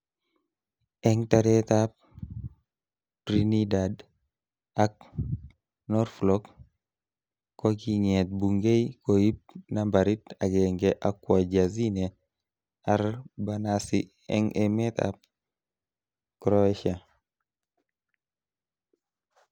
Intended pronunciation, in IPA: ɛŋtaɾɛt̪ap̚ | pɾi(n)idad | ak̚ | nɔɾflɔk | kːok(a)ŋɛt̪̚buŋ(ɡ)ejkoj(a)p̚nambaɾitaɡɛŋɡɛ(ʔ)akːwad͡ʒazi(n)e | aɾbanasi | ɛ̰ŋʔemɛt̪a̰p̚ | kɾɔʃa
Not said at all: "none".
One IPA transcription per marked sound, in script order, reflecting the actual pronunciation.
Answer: n, i, ɡ, i, ʔ, n

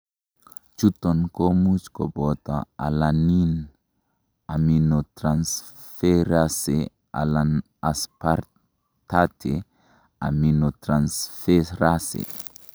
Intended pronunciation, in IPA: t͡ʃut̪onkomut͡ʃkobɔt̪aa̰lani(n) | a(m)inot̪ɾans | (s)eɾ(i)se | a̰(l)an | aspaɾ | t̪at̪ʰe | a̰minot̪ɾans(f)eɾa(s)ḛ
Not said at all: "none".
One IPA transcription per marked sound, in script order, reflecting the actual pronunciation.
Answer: n, m, f, a, l, f, s

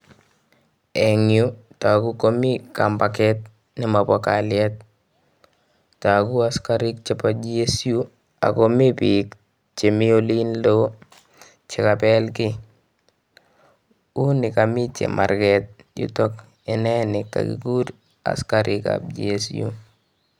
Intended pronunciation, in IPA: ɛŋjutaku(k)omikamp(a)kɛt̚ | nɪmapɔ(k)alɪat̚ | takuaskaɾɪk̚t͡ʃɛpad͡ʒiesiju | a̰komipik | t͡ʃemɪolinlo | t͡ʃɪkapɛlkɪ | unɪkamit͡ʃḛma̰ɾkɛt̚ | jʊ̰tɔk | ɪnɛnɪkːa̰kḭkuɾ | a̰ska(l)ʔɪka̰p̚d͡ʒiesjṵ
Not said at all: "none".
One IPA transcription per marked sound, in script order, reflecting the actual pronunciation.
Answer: k, a, k, ɾ

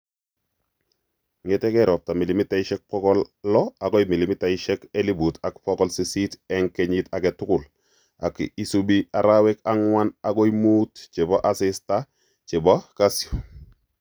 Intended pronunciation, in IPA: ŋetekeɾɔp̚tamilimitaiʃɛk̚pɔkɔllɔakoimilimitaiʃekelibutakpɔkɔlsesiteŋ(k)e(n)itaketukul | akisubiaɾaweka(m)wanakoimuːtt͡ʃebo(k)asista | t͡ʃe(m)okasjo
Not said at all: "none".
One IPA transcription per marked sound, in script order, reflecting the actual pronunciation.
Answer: k, ɲ, ŋ, ʔ, b

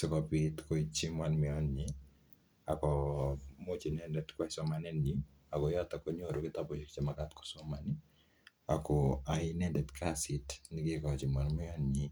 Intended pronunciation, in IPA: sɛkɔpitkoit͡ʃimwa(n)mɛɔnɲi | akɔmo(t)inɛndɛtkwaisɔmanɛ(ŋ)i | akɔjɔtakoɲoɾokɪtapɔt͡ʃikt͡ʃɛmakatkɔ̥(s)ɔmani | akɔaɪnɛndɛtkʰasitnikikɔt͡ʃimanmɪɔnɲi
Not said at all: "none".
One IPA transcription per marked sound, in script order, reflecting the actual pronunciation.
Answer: n, t͡ʃ, n, s

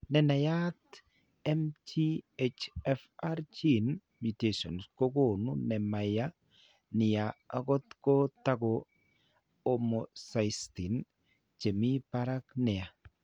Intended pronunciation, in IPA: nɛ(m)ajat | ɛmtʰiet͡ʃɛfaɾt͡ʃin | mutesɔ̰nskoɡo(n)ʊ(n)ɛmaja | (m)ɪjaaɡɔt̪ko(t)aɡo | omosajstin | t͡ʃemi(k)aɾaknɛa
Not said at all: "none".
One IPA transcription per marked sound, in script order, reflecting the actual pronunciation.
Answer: n, n, n, n, t, p

